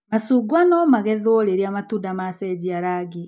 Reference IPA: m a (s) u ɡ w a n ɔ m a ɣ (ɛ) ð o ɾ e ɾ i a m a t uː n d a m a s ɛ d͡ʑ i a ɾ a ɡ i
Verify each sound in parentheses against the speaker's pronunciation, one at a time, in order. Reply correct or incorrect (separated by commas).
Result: correct, correct